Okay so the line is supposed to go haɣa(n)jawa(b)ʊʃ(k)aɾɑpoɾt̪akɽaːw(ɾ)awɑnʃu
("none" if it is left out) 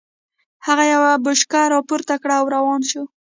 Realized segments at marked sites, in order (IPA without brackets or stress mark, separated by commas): none, b, k, ɾ